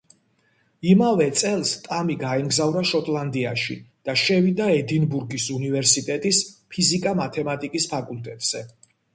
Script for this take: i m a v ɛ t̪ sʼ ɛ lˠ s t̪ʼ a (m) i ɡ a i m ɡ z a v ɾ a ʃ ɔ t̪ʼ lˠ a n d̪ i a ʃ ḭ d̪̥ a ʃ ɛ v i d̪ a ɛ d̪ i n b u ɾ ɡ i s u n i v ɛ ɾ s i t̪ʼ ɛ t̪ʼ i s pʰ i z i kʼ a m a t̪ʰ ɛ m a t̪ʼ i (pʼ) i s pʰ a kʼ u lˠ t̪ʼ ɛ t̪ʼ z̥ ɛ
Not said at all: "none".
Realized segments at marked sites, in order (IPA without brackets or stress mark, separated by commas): m, kʼ